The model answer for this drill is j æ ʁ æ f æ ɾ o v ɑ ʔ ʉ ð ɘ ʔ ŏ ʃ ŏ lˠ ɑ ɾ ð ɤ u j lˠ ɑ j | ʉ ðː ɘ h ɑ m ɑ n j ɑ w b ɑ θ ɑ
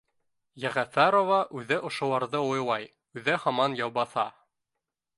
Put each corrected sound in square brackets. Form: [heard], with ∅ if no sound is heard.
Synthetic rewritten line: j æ ʁ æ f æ ɾ o v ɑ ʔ ʉ ð ɘ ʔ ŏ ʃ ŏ lˠ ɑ ɾ ð ɤ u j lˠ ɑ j | ʉ [ð] ɘ h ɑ m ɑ n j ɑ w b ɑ θ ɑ